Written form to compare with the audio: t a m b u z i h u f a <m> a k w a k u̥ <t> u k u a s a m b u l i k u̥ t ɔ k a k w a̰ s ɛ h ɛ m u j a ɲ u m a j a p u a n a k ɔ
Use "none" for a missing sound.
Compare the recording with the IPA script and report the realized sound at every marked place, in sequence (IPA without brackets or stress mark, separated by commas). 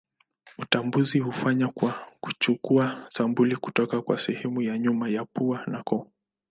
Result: ɲ, t͡ʃ